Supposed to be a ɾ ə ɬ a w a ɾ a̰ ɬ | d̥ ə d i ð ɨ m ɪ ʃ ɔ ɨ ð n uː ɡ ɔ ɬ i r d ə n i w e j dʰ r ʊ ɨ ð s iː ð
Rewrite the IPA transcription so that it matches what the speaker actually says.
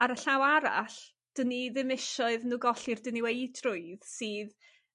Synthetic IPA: a ɾ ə ɬ a w a ɾ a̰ ɬ | d̥ ə n i ð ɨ m ɪ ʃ ɔ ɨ ð n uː ɡ ɔ ɬ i r d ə n i w e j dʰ r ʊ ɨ ð s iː ð